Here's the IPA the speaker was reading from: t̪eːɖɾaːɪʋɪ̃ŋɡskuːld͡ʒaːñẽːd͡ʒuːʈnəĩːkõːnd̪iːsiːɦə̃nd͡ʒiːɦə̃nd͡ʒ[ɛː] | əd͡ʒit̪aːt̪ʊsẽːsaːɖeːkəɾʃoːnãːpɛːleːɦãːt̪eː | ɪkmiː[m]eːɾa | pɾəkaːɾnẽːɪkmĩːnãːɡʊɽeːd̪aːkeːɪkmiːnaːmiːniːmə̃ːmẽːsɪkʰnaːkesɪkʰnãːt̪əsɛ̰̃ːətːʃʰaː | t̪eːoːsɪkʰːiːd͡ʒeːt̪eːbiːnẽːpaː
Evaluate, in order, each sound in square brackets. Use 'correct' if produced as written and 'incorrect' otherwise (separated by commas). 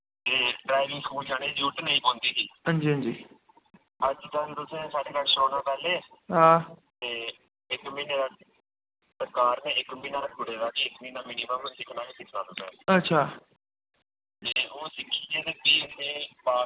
incorrect, incorrect